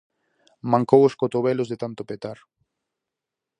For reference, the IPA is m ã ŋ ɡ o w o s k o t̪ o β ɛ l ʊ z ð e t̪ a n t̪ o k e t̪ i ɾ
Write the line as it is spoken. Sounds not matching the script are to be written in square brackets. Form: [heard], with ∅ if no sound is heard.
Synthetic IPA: m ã ŋ [k] o w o s k o t̪ o β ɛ l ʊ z ð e t̪ a n t̪ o [p] e t̪ [a] ɾ